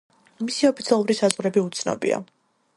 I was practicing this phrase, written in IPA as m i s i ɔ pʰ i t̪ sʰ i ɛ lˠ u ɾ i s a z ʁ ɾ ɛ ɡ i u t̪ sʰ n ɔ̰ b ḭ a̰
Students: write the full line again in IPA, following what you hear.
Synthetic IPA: m i s i ɔ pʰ i t̪ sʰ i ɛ lˠ u ɾ i s a z ʁ ɾ ɛ b i u t̪ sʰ n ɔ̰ b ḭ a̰